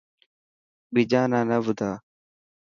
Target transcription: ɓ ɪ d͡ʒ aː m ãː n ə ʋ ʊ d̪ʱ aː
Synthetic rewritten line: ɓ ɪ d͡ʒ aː n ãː n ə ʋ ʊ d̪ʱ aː